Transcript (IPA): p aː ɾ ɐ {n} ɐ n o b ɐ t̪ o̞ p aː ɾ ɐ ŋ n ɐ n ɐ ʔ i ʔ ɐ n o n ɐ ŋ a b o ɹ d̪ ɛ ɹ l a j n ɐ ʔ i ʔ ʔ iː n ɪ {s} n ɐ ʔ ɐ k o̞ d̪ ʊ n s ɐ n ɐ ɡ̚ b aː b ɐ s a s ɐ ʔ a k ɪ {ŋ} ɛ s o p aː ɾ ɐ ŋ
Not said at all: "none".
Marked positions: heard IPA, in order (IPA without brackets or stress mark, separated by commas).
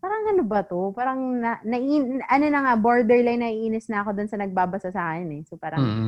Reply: ŋ, s, n